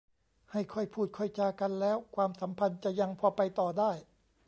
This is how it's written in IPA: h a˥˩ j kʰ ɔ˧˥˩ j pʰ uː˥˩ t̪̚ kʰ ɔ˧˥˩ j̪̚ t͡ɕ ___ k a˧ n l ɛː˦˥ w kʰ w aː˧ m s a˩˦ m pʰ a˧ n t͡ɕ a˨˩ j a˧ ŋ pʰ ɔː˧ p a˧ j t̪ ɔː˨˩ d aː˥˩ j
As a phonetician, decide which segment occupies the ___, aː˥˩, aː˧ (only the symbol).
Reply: aː˧